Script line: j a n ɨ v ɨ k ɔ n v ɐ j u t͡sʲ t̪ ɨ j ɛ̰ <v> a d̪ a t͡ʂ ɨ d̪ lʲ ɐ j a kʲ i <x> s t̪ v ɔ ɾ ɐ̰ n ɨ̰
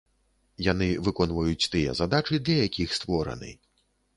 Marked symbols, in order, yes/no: no, yes

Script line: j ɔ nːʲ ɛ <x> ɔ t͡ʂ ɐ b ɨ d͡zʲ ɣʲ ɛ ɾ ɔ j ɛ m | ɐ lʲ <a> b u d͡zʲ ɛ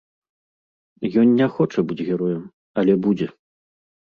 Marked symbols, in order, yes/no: yes, no

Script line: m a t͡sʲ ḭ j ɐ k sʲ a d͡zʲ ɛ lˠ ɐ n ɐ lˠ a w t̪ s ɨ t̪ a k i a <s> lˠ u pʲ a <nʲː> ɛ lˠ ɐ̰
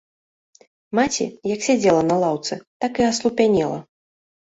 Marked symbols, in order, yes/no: yes, no

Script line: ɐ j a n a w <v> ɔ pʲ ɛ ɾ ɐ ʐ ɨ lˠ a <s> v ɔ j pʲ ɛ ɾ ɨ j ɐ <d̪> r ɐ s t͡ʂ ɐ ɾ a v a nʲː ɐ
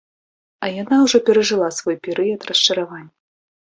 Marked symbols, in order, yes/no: no, yes, no

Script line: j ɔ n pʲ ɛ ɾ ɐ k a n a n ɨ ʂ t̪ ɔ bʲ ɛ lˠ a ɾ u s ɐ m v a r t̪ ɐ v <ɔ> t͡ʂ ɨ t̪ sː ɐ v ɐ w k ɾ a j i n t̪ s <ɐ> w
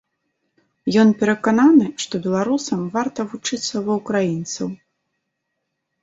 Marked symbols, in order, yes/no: no, yes

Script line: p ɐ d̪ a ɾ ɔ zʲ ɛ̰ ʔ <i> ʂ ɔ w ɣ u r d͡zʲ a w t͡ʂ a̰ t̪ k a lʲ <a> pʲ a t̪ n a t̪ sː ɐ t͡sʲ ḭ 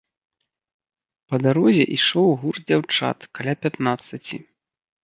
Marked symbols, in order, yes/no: yes, yes

